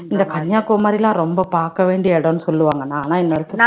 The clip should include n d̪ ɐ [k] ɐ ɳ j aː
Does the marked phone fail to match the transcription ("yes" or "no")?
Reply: no